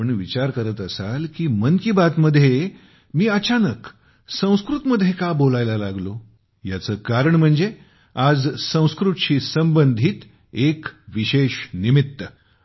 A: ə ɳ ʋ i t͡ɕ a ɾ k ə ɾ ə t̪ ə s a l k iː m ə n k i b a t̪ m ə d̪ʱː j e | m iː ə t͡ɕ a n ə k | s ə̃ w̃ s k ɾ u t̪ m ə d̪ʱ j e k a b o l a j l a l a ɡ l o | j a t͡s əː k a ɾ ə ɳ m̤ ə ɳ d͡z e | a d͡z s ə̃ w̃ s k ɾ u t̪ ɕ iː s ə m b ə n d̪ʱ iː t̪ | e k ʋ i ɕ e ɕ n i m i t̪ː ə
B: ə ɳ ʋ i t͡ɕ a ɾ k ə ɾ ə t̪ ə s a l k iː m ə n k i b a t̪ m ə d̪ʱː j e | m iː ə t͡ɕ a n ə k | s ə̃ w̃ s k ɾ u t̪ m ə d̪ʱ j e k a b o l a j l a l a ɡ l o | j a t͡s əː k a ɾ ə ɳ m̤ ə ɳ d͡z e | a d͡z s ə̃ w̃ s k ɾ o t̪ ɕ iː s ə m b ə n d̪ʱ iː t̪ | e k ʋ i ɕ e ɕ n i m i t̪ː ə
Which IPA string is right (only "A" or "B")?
A